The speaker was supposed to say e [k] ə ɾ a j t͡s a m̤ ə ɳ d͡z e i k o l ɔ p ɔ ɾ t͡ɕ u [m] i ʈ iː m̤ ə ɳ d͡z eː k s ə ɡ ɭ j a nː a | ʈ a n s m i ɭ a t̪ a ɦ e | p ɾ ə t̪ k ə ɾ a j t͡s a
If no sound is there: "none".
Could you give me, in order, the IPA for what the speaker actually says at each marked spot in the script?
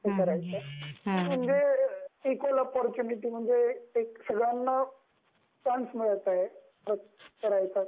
k, n

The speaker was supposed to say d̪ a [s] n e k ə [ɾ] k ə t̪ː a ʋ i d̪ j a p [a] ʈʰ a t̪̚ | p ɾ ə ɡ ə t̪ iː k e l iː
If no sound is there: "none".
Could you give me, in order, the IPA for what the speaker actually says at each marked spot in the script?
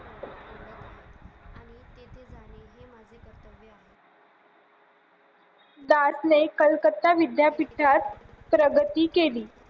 s, l, i

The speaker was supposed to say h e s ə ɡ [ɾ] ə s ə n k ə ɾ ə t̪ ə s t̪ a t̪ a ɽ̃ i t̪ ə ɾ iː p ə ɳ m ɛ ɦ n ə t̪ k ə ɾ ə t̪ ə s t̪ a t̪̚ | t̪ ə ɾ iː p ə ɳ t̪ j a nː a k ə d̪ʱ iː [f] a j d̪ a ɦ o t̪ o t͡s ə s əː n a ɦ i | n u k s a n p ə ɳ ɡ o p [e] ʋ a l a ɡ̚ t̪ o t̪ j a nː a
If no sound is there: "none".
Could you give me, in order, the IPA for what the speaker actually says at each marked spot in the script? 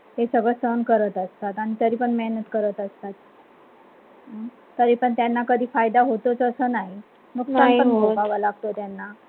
ɭ, f, a

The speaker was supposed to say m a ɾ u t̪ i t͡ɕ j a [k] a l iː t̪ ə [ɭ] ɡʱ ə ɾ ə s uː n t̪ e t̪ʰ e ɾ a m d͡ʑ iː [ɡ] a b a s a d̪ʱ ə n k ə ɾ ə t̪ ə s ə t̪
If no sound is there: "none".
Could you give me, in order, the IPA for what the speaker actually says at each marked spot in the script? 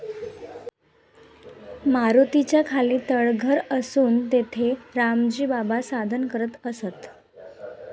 kʰ, ɭ, b

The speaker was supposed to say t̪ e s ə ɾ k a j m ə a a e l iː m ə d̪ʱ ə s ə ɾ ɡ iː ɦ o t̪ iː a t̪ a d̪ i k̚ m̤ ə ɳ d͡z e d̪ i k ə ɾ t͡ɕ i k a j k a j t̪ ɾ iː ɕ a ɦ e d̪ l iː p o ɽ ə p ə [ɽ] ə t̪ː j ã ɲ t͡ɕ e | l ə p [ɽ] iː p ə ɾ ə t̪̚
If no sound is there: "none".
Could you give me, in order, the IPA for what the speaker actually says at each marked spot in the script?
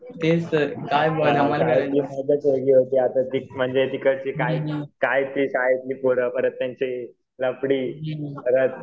ɾ, ɽ

